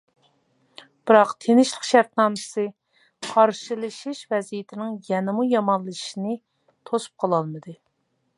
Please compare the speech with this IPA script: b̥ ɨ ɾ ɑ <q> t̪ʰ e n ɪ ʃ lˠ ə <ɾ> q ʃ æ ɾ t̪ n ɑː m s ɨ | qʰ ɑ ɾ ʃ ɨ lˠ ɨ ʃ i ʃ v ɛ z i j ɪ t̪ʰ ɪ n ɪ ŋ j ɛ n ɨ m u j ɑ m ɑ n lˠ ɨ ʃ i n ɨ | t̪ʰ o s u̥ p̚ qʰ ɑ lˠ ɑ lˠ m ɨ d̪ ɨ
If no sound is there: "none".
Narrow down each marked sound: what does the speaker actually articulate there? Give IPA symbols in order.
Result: q, none

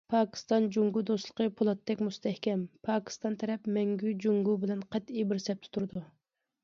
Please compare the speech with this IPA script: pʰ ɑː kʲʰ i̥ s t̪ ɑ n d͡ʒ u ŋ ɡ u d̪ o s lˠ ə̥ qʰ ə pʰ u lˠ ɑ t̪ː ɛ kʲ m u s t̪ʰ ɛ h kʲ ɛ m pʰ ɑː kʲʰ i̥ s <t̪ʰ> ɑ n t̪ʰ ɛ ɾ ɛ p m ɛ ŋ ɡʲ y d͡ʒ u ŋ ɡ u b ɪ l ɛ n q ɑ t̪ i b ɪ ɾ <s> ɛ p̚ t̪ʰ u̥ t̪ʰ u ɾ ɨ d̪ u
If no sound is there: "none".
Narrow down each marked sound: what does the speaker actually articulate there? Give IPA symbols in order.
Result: t̪, s

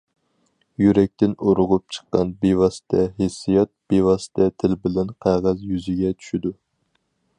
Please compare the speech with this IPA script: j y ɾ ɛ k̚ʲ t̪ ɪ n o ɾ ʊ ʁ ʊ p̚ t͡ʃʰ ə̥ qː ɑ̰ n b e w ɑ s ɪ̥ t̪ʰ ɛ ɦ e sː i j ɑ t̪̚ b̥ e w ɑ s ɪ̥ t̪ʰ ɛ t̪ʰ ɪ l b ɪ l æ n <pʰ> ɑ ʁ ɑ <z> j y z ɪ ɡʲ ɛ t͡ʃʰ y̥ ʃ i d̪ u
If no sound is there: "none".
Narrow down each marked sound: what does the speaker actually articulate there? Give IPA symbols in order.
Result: qʰ, z

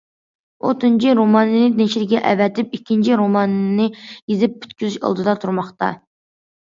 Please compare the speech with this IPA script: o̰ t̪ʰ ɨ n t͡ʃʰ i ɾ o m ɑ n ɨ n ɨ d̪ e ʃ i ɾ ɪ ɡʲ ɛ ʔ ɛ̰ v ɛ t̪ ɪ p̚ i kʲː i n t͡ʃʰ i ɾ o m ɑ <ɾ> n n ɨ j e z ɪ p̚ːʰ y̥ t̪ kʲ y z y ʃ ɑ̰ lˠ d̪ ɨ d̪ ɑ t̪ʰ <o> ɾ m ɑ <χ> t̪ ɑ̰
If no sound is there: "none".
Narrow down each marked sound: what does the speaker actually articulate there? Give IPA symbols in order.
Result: none, u, χ

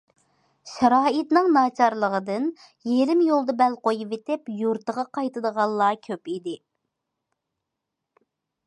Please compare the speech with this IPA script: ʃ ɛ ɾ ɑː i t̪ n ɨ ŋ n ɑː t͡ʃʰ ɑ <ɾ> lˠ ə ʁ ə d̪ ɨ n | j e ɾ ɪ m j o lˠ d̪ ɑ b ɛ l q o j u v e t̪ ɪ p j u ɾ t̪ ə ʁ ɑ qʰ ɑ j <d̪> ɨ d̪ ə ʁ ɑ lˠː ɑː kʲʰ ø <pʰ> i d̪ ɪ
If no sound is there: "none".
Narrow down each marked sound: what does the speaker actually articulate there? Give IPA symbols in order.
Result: ɾ, t̪, p

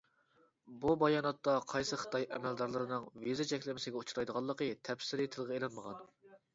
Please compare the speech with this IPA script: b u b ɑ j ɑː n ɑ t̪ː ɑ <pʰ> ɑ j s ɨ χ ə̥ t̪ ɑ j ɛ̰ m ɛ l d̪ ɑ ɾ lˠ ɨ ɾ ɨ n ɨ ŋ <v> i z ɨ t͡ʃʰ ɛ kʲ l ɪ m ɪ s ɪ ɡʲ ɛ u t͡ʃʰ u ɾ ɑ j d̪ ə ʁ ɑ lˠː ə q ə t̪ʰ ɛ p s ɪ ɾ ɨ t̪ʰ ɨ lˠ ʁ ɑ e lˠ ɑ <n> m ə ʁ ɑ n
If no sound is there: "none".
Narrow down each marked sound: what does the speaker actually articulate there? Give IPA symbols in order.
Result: qʰ, v, n

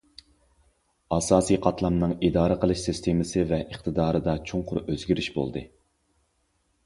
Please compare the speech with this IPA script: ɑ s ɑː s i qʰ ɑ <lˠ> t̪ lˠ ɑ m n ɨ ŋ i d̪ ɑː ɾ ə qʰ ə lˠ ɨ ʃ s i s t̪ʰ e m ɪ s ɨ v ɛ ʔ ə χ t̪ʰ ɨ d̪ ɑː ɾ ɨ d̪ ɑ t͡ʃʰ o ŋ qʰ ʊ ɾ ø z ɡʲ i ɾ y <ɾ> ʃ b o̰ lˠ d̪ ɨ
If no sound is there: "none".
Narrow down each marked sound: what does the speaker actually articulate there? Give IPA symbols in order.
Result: none, none

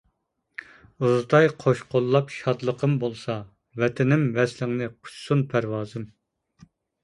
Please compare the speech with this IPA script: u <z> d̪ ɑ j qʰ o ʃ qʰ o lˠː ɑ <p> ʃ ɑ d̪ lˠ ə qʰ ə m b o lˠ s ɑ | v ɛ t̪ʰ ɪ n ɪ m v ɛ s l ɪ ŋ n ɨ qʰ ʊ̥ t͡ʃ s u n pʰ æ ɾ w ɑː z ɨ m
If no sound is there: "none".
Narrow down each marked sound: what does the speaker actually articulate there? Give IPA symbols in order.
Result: z, p

